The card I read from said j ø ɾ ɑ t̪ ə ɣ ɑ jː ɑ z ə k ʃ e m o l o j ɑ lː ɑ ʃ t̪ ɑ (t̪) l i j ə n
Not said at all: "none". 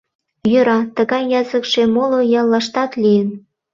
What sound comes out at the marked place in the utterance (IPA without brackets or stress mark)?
t̪